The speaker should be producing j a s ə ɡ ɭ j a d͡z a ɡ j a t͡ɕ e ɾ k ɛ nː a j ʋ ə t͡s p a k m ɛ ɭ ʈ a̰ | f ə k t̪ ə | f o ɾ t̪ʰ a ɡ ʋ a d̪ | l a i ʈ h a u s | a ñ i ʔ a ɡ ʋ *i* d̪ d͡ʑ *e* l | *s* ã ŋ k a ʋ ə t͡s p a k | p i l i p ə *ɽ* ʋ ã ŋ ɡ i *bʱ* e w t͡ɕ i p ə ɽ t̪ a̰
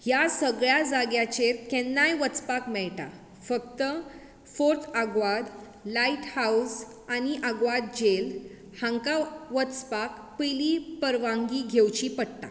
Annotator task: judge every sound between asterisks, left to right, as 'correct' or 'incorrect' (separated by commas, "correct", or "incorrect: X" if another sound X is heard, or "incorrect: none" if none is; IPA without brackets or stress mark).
incorrect: a, correct, incorrect: h, incorrect: ɾ, incorrect: ɡʱ